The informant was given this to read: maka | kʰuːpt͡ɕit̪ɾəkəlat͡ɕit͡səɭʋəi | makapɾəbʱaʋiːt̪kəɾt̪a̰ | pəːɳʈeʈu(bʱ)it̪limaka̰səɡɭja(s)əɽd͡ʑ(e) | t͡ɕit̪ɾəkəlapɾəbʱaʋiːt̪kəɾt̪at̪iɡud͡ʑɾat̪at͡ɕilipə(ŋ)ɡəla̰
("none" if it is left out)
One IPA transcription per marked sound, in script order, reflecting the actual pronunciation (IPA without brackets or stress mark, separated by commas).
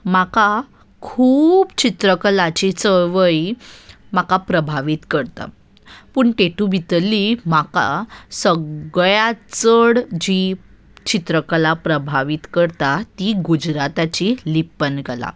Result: bʱ, t͡s, i, n